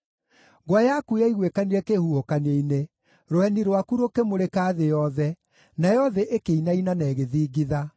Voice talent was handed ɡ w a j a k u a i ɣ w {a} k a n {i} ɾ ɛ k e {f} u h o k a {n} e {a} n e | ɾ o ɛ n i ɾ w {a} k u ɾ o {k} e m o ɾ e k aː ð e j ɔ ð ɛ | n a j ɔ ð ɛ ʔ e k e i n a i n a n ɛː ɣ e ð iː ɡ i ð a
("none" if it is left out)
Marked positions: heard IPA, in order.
e, i, h, n, i, a, k

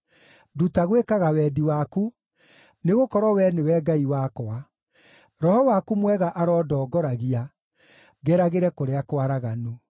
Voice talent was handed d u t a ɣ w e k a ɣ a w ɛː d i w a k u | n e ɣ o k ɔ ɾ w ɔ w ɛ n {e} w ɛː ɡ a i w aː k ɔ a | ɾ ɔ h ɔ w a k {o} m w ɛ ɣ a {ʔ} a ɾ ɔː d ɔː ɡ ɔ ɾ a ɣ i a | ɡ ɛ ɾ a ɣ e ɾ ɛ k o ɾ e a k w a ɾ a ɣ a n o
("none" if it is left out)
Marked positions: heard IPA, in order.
e, u, ʔ

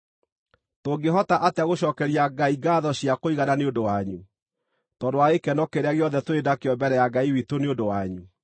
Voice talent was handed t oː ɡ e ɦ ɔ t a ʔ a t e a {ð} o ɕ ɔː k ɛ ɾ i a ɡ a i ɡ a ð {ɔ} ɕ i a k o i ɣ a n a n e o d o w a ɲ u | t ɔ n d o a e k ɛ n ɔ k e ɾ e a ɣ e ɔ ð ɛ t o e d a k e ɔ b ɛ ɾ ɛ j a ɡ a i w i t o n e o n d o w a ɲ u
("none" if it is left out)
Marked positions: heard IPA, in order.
ɣ, ɔ

